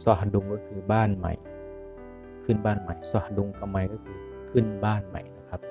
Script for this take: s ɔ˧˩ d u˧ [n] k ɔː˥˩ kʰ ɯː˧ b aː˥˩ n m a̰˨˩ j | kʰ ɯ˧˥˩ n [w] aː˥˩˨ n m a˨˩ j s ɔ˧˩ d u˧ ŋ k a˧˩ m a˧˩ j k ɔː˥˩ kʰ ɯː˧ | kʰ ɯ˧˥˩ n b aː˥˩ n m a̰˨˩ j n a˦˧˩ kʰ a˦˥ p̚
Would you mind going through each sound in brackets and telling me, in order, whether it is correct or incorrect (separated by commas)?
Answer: incorrect, incorrect